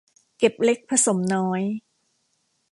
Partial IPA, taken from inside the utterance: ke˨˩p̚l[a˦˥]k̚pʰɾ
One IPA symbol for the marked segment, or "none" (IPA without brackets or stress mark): e˦˥